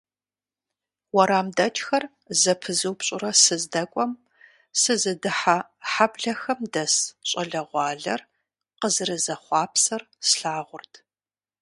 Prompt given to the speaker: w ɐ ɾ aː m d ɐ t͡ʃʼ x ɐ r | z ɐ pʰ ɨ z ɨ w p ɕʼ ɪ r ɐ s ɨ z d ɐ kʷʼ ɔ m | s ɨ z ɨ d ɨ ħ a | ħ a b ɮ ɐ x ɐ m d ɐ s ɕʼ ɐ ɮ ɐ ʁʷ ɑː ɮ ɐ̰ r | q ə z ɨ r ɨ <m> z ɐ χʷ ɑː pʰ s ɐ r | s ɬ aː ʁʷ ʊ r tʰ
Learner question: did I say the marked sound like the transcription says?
no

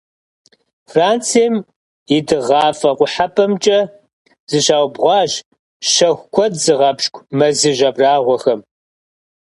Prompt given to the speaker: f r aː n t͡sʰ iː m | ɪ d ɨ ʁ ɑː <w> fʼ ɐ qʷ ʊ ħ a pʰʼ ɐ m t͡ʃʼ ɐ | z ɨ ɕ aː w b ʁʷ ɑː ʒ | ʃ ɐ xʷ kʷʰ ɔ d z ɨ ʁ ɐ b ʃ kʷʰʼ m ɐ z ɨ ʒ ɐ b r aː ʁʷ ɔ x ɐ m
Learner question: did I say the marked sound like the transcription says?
no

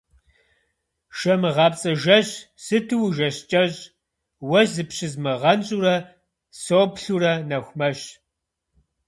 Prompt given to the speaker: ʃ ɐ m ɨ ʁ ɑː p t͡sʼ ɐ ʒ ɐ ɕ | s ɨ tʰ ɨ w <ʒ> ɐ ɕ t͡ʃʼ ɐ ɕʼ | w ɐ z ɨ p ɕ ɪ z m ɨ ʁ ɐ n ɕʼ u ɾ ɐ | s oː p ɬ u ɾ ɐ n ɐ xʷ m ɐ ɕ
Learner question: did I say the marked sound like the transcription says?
yes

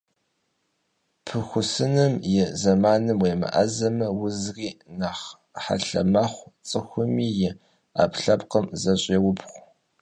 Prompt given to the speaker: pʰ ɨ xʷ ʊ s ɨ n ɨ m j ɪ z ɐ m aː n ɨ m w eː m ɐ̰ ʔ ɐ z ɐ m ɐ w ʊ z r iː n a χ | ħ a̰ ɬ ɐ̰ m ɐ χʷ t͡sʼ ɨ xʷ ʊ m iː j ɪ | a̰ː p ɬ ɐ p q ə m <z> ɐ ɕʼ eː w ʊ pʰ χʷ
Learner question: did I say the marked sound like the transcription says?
yes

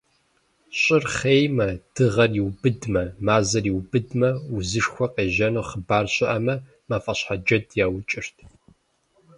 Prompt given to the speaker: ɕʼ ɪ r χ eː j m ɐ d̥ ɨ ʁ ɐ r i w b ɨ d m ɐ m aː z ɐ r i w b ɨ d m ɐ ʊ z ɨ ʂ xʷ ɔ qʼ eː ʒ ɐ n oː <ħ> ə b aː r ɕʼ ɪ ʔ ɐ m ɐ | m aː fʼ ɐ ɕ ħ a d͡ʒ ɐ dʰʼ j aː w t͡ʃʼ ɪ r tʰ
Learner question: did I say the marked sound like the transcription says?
no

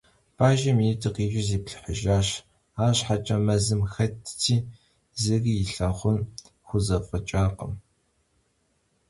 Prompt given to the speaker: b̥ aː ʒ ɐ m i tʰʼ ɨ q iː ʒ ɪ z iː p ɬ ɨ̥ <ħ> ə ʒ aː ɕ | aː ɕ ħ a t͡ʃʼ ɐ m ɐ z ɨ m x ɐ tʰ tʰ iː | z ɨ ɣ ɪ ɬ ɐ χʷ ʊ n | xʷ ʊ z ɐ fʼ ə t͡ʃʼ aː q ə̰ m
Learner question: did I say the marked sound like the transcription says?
yes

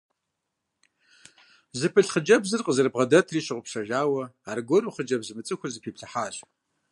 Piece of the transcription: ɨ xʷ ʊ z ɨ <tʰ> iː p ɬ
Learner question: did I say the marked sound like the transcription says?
no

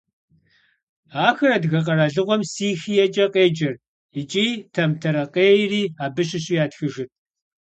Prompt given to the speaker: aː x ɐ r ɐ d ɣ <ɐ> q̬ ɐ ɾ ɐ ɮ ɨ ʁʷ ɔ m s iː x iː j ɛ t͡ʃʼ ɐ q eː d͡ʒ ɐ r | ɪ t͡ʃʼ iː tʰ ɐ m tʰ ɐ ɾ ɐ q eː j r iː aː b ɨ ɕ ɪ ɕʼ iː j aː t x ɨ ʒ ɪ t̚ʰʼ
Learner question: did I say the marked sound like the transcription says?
yes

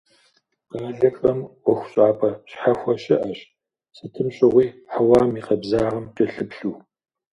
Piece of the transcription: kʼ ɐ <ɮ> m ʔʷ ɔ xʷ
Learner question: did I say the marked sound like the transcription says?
no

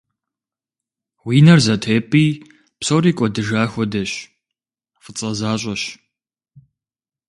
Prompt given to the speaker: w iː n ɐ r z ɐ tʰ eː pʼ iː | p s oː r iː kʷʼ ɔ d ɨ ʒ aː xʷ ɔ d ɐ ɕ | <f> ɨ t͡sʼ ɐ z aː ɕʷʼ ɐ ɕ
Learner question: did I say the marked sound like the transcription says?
yes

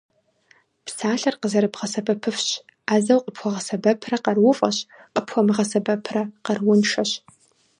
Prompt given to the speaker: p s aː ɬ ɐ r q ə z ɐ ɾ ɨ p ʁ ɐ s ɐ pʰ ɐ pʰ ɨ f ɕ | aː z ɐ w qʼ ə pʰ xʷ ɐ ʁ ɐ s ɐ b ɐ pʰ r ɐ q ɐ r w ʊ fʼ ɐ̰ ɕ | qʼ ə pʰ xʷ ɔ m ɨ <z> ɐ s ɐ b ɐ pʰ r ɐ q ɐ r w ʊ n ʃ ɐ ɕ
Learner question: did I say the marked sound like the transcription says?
no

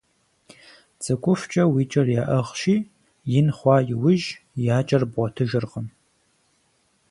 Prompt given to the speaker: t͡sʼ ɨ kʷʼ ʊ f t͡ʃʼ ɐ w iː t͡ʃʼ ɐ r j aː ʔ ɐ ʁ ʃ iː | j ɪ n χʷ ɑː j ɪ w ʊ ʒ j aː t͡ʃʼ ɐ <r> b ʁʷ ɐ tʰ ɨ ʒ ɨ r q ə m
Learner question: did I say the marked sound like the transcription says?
yes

